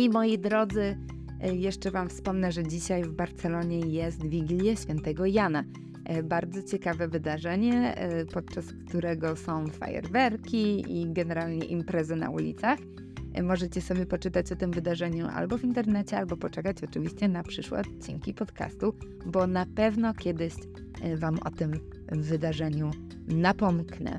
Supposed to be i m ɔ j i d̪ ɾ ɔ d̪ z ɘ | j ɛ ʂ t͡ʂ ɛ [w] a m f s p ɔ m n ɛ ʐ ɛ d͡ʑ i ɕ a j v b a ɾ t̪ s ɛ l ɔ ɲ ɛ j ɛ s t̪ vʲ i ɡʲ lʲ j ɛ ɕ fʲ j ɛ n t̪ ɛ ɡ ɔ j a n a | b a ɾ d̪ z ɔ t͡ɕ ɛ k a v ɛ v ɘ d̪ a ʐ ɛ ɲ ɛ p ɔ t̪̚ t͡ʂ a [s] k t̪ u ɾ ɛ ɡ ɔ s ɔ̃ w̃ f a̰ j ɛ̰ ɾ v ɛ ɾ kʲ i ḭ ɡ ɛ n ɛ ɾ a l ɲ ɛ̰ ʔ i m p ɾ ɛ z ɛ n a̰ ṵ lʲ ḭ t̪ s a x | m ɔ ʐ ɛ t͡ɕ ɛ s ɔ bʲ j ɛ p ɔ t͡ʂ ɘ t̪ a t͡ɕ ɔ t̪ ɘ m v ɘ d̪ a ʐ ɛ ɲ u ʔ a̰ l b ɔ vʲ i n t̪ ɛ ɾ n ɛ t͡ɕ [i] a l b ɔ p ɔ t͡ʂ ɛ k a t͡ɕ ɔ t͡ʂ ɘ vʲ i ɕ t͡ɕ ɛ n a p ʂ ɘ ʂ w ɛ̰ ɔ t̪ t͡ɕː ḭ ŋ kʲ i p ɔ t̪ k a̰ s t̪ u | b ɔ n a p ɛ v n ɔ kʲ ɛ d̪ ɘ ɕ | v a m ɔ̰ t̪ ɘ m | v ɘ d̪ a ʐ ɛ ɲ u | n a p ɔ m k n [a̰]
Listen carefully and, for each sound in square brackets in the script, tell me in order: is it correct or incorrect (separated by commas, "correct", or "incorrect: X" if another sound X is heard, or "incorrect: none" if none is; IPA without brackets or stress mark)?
incorrect: v, correct, incorrect: ɛ, incorrect: ɛ̰